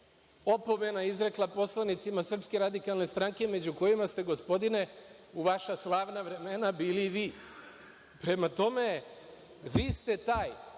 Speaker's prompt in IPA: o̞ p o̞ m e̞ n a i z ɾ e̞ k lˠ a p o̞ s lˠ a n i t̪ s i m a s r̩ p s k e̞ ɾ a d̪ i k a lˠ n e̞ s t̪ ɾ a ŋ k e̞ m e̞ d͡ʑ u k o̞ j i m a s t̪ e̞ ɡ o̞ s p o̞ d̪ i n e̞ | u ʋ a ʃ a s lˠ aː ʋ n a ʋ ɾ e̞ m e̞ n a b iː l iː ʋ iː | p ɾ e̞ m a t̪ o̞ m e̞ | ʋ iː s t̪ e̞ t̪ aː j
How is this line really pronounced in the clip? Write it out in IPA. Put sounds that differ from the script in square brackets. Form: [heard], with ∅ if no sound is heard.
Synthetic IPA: o̞ p o̞ m e̞ n a i z ɾ e̞ k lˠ a p o̞ s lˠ a n i t̪ s i m a s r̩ p s k e̞ ɾ a d̪ i k a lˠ n e̞ s t̪ ɾ a ŋ k e̞ m e̞ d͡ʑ u k o̞ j i m a s t̪ e̞ ɡ o̞ s p o̞ d̪ i n e̞ | u ʋ a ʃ a s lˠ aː ʋ n a ʋ ɾ e̞ m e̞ n a b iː l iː ʋ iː | p ɾ e̞ m a t̪ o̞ m e̞ | ʋ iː s t̪ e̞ t̪ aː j